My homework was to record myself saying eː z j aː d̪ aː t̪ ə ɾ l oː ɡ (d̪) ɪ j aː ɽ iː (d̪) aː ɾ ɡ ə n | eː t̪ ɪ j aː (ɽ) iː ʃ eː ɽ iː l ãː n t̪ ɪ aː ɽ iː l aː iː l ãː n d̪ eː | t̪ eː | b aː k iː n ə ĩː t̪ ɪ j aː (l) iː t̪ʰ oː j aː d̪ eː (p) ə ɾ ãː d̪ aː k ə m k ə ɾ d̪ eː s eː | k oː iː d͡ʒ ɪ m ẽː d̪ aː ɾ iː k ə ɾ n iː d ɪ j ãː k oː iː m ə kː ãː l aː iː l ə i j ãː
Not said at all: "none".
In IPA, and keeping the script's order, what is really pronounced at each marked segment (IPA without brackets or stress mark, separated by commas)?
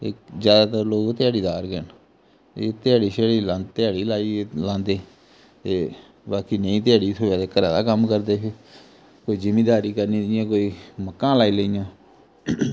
t̪, d̪, ɽ, ɽ, k